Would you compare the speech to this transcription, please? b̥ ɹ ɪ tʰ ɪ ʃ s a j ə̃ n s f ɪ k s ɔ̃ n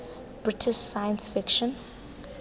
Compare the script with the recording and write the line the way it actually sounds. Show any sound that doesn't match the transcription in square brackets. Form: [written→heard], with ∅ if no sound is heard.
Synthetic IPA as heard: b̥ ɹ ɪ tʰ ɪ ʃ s a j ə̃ n s f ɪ k [s→ʃ] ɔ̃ n